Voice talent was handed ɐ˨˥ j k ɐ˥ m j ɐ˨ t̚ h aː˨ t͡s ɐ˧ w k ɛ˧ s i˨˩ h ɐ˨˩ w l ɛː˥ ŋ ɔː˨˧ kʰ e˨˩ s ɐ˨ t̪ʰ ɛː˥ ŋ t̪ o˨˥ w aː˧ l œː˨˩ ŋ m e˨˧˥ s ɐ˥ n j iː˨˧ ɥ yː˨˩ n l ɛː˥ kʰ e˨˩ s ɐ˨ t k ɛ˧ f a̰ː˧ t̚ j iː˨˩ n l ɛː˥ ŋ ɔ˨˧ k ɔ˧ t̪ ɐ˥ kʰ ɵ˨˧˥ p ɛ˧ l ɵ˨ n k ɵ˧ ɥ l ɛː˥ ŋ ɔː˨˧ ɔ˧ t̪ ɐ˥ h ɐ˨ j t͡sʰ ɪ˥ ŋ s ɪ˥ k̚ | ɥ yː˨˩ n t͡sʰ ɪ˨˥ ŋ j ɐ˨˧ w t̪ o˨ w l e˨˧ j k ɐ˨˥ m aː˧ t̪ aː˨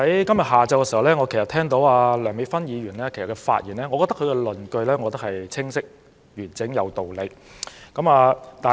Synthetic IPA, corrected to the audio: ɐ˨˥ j k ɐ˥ m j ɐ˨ t̚ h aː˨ t͡s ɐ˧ w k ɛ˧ s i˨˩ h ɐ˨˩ w l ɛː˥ ŋ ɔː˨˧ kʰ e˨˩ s ɐ˨ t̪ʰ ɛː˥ ŋ t̪ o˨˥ w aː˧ l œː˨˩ ŋ m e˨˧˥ f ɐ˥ n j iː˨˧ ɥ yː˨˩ n l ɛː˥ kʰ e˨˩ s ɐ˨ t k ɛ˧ f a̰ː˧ t̚ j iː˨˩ n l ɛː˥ ŋ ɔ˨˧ k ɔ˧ t̪ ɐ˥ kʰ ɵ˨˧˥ k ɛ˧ l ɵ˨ n k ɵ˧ ɥ l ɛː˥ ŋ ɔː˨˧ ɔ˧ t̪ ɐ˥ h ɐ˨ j t͡sʰ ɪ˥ ŋ s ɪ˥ k̚ | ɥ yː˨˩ n t͡s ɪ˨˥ ŋ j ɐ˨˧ w t̪ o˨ w l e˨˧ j k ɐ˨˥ m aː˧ t̪ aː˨